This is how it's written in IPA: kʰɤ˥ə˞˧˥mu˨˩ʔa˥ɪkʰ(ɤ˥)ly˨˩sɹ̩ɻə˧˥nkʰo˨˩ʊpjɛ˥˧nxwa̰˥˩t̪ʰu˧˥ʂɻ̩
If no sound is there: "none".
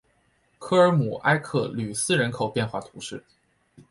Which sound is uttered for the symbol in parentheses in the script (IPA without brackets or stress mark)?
ɤ˥˩